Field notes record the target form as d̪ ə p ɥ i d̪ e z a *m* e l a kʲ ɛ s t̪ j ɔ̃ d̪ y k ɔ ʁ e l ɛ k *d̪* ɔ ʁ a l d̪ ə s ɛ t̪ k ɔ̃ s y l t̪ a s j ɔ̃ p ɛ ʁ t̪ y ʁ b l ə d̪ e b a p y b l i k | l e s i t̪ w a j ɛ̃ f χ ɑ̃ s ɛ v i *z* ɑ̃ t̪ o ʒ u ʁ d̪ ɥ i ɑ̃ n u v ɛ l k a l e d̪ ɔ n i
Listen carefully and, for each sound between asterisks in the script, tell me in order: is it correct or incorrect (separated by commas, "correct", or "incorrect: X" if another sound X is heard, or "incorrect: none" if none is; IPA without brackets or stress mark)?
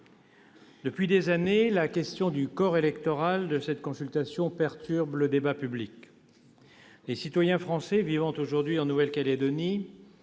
incorrect: n, incorrect: t̪, incorrect: v